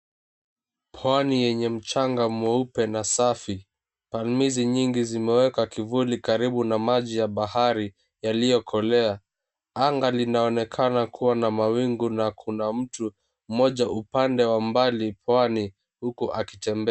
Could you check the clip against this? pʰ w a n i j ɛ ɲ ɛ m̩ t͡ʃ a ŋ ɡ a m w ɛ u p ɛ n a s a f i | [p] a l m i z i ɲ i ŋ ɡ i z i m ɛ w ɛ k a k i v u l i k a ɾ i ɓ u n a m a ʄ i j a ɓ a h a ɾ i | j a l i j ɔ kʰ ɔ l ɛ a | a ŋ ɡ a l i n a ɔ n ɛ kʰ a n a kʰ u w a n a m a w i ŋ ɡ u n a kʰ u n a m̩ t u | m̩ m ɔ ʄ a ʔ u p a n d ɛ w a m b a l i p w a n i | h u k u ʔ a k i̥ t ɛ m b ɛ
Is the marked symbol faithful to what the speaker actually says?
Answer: yes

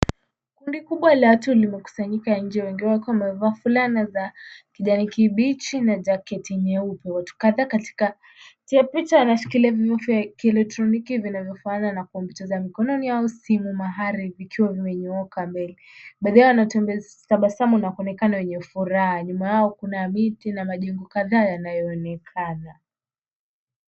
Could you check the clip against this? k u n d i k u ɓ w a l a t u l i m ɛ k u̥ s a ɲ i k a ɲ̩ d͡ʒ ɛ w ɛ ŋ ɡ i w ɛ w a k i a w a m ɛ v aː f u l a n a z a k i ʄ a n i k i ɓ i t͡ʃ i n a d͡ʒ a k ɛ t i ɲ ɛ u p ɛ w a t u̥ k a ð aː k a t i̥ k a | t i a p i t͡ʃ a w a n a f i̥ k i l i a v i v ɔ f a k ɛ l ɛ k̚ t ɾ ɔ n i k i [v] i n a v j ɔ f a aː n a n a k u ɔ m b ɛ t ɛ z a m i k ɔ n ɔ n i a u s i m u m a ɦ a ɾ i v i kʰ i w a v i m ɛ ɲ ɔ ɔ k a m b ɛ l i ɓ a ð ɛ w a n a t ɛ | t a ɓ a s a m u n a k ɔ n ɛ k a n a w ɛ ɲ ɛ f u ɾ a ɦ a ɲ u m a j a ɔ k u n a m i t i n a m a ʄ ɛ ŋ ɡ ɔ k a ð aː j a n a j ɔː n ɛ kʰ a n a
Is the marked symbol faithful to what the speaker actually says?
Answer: yes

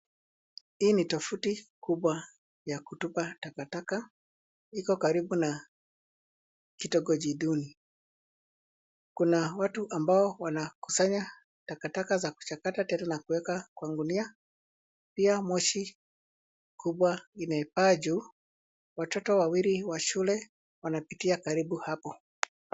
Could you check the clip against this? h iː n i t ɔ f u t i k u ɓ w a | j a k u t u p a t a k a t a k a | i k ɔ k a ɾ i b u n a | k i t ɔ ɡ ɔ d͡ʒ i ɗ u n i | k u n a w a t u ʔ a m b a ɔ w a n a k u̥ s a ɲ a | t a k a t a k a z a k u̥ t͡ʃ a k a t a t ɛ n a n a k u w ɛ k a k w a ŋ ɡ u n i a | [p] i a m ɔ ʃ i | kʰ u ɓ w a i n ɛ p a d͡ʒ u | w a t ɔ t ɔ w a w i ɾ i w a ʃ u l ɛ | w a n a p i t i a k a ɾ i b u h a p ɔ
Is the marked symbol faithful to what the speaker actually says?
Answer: yes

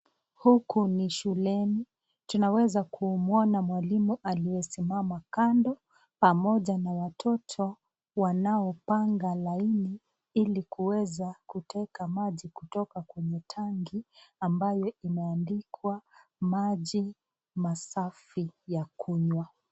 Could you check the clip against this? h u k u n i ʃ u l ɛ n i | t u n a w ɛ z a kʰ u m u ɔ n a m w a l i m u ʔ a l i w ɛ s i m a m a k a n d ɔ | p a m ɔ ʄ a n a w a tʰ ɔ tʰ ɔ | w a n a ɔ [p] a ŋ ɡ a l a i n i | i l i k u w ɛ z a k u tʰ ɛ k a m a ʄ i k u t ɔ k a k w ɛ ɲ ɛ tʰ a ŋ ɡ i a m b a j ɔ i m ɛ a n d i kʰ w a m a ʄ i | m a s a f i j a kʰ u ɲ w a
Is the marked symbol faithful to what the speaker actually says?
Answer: yes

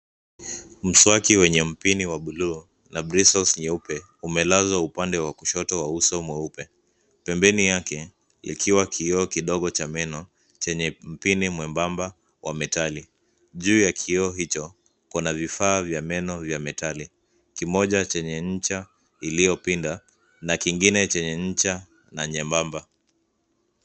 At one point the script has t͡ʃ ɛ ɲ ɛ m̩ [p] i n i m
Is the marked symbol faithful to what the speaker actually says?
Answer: yes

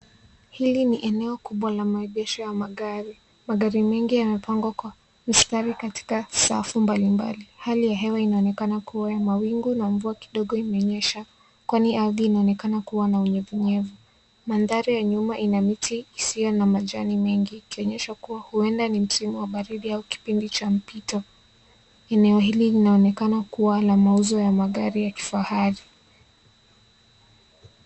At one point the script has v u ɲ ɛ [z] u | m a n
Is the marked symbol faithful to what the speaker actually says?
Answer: no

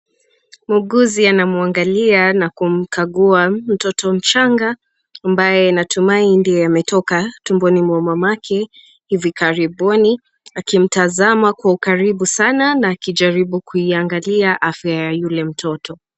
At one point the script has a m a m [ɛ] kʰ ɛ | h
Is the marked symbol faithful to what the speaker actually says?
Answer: no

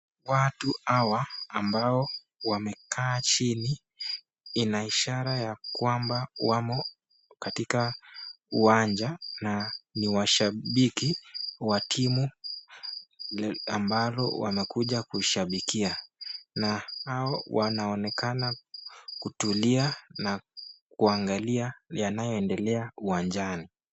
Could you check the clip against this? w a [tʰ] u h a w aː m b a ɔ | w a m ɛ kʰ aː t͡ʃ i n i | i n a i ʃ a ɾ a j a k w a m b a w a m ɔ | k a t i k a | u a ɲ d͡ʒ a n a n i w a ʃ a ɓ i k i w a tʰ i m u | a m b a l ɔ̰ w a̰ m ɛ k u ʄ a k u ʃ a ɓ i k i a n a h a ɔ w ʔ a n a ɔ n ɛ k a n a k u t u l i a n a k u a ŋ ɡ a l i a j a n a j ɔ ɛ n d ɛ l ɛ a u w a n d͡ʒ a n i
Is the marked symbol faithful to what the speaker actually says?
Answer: no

